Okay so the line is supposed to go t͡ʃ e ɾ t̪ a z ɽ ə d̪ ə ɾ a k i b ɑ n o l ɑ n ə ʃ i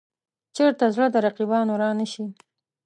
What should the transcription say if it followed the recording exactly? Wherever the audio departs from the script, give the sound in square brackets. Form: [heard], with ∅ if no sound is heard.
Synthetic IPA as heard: t͡ʃ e ɾ t̪ a z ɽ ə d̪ ə ɾ a [q] i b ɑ n o [ɾ] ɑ n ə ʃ i